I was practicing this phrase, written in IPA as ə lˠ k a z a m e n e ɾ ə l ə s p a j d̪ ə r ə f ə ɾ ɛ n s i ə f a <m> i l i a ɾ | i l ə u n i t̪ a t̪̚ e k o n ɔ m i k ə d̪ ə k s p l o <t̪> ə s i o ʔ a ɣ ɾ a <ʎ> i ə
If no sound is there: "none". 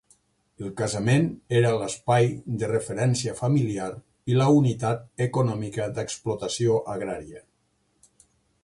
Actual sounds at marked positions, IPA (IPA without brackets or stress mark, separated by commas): m, t̪, ɾ